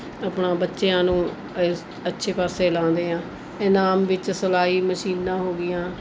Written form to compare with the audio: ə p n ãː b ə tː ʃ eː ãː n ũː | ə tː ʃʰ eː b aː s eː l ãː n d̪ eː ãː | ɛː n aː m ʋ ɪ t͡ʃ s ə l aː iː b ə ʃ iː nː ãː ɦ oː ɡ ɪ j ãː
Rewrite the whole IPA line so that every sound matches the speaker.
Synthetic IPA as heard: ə p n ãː b ə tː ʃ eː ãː n ũː | ə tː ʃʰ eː p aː s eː l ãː n d̪ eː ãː | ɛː n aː m ʋ ɪ t͡ʃ s ə l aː iː m ə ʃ iː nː ãː ɦ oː ɡ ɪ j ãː